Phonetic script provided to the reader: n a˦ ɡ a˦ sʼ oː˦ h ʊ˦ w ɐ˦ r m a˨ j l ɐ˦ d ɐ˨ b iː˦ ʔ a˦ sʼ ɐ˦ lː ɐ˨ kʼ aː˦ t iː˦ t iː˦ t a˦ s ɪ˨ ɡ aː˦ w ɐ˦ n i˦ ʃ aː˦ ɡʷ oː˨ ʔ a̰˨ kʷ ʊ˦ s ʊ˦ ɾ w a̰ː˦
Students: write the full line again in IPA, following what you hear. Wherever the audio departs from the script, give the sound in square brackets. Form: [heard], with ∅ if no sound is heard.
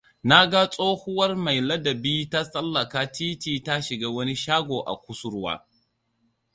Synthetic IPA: n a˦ ɡ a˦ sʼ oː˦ h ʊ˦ w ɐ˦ r m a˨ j l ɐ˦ d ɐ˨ b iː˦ [t] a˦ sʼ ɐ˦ lː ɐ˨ [k] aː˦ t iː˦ t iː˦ t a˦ [ʃ] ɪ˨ ɡ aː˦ w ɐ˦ n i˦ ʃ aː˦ ɡʷ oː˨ ʔ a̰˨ kʷ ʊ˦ s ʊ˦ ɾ w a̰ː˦